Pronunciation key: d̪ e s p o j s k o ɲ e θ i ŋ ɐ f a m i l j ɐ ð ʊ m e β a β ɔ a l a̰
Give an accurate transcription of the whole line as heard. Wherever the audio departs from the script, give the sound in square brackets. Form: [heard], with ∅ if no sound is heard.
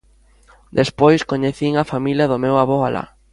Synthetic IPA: d̪ e s p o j s k o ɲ e θ i ŋ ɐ f a m i l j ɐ ð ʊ m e [w] a β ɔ a l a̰